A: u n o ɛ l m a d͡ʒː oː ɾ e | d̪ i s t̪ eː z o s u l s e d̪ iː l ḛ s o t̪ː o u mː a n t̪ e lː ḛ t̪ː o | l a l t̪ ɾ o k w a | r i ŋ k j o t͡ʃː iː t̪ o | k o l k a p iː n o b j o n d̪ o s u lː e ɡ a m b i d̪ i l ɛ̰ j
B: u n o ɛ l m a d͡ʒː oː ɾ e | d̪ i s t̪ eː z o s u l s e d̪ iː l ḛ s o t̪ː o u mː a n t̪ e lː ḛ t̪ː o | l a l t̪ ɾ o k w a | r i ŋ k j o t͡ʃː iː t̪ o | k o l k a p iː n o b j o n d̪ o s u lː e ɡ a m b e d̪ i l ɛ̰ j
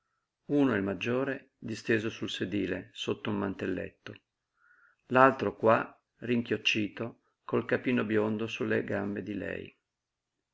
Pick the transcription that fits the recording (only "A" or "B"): B